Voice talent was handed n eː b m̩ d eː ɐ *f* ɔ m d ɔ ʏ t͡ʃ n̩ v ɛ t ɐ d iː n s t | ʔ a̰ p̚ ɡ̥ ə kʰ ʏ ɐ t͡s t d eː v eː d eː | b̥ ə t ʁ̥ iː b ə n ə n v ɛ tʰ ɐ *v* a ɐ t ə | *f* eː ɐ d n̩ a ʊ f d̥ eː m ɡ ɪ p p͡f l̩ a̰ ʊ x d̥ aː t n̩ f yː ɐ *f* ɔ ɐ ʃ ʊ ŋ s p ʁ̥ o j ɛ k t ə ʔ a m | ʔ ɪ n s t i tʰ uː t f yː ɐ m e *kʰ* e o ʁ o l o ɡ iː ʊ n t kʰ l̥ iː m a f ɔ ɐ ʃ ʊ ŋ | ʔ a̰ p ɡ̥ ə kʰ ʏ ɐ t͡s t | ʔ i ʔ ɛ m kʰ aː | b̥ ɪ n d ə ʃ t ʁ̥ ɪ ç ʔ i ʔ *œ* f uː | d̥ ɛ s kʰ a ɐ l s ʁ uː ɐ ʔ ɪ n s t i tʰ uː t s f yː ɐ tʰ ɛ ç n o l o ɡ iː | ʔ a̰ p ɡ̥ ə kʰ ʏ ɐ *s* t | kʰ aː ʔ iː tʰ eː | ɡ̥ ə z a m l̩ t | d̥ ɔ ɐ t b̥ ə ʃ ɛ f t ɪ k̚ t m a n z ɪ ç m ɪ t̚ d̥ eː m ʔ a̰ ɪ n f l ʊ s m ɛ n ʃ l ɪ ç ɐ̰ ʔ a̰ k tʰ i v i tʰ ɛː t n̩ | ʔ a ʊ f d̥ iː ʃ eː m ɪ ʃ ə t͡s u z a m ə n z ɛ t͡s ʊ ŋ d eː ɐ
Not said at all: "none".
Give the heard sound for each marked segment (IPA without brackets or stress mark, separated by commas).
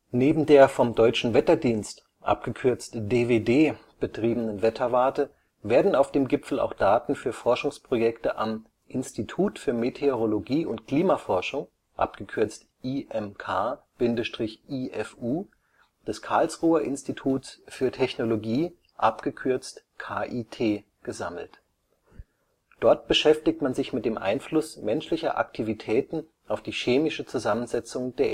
f, v, v, f, tʰ, ɛ, t͡s